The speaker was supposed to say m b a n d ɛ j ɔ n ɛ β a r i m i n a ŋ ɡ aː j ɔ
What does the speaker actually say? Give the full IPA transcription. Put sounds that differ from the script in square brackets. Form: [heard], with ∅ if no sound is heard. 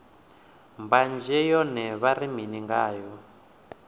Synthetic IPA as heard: m b a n [d͡ʒ] ɛ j ɔ n ɛ β a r i m i n [i] ŋ ɡ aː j ɔ